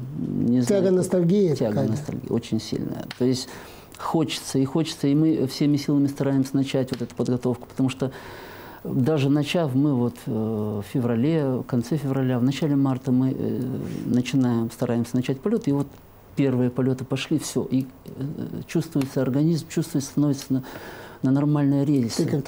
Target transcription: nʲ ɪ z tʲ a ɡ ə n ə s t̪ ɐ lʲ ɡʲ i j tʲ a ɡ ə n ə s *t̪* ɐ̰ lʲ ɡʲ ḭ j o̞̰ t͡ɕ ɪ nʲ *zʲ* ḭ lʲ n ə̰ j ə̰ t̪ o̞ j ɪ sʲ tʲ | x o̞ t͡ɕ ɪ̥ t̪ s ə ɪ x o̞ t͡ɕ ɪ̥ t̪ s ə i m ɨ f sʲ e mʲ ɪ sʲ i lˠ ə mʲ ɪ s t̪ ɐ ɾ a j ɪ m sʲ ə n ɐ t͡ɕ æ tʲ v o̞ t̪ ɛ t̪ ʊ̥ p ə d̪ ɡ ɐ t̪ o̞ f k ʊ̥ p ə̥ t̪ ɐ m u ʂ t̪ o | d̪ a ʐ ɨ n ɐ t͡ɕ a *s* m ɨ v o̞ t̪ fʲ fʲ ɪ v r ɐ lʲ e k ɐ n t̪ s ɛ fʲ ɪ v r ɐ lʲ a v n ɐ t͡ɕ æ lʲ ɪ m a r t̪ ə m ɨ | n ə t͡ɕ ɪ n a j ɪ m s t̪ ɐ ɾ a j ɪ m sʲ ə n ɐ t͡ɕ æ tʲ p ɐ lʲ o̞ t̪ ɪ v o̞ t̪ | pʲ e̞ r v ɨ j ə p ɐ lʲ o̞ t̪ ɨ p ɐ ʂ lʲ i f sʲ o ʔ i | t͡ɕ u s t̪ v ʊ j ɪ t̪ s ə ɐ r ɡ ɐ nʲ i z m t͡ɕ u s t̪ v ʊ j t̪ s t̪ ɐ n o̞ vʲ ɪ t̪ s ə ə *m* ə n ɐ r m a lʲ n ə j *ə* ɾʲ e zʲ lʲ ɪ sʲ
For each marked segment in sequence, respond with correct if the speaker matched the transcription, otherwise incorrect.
correct, incorrect: sʲ, incorrect: f, incorrect: n, correct

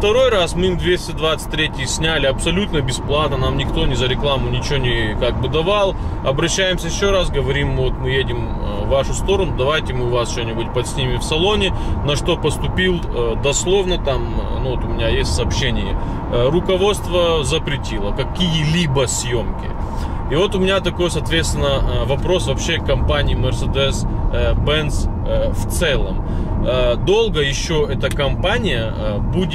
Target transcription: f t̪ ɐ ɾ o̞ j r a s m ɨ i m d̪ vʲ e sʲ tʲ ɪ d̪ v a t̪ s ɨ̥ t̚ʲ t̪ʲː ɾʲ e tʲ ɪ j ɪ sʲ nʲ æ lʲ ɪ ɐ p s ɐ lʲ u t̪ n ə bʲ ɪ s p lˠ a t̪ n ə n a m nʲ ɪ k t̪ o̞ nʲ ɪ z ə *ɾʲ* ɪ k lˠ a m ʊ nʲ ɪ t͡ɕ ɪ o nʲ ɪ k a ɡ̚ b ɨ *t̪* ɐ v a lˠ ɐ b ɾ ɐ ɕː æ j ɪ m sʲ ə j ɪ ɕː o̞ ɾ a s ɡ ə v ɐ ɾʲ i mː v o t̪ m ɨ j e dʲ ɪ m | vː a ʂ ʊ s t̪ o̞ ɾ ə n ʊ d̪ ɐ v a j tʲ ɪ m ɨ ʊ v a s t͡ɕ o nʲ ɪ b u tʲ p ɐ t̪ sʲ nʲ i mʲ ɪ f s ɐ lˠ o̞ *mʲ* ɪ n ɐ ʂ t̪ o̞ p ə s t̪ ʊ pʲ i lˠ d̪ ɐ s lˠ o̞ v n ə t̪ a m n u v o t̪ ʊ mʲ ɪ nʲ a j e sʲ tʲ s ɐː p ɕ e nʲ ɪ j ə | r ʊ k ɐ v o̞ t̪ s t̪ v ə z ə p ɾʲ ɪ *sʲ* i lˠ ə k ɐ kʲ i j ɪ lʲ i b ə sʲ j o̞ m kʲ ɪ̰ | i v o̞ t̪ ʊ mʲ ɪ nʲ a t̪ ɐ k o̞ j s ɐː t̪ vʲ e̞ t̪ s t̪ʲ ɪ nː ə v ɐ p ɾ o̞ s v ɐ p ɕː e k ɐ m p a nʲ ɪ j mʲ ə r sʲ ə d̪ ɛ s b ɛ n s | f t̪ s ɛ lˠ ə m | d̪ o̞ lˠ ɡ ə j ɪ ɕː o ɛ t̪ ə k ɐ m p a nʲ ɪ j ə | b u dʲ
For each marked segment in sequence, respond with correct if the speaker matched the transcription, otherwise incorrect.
correct, incorrect: d̪, incorrect: nʲ, incorrect: tʲ

